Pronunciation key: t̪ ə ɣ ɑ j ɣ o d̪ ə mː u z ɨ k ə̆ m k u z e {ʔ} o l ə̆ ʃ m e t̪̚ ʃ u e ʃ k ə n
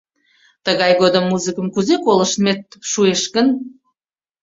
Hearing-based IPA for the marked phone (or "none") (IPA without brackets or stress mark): k